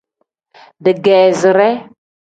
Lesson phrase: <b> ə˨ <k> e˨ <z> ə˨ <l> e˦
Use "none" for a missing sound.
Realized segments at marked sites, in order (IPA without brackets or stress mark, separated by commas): d, ɡ, z, ɾ